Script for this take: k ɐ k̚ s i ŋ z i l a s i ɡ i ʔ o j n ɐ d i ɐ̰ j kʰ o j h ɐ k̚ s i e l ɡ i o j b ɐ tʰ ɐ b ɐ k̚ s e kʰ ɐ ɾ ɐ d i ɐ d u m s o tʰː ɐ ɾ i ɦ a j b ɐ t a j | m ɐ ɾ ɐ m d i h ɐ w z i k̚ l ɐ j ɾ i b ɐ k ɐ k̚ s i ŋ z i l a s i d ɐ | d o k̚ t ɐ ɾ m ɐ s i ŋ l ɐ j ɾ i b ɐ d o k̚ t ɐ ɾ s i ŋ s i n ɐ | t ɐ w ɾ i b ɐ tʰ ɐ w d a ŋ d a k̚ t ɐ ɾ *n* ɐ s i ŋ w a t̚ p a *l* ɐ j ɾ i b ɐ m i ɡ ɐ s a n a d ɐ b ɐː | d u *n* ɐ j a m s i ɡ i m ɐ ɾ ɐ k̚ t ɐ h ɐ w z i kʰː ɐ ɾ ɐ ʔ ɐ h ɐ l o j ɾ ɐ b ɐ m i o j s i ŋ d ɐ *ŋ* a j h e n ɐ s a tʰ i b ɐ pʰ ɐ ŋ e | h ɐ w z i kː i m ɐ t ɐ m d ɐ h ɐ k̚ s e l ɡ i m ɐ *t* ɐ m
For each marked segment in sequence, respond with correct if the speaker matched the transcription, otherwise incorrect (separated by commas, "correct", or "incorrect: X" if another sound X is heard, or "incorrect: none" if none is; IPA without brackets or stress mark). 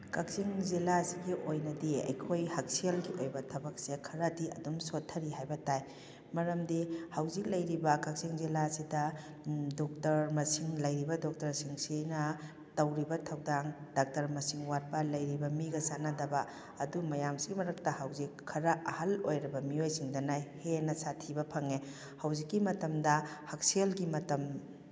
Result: incorrect: m, correct, incorrect: m, incorrect: n, correct